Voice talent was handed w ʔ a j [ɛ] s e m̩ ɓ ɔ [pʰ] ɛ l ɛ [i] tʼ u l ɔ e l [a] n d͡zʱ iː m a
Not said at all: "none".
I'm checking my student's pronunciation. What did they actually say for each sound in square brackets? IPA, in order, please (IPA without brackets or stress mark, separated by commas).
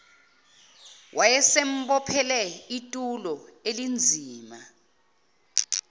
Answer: ɛ, pʰ, i, i